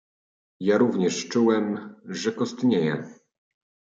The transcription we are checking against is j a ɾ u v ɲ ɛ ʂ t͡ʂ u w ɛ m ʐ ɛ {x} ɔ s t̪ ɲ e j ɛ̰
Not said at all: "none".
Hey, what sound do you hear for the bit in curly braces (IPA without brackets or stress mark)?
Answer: k